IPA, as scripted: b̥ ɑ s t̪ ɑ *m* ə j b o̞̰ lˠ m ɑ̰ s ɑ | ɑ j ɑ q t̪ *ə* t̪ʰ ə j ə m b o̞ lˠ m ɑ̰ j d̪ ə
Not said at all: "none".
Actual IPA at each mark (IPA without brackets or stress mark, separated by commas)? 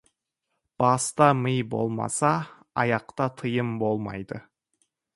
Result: m, ɑ